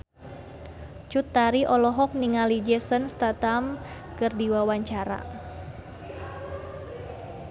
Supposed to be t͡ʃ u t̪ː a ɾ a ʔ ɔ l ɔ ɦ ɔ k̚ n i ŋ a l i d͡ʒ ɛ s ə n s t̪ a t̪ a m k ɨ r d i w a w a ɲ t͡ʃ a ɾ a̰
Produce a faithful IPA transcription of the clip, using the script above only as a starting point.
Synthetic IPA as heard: t͡ʃ u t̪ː a ɾ i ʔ ɔ l ɔ ɦ ɔ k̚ n i ŋ a l i d͡ʒ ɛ s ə n s t̪ a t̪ a m k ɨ r d i w a w a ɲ t͡ʃ a ɾ a̰